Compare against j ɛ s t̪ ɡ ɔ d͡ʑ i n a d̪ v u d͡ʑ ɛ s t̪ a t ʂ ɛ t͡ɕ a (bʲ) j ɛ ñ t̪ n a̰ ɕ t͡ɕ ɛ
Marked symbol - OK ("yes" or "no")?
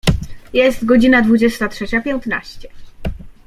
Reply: no